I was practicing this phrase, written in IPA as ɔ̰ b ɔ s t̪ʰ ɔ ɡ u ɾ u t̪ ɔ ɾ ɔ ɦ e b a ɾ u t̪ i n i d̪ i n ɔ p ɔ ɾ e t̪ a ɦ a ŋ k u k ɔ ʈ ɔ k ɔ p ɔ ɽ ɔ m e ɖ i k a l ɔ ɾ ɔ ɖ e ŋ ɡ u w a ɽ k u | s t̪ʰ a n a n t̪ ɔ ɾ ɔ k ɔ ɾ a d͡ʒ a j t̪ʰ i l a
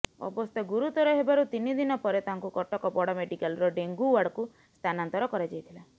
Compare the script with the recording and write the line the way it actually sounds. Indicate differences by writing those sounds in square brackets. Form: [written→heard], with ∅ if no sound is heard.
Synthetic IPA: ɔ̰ b ɔ s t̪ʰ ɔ ɡ u ɾ u t̪ ɔ ɾ ɔ ɦ e b a ɾ u t̪ i n i d̪ i n ɔ p ɔ ɾ e t̪ a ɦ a ŋ k u k ɔ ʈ ɔ k ɔ p ɔ ɽ ɔ m e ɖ i k a l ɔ ɾ ɔ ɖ e ŋ ɡ u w a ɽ k u | s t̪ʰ a n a n t̪ ɔ ɾ ɔ k ɔ ɾ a d͡ʒ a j t̪ʰ i l a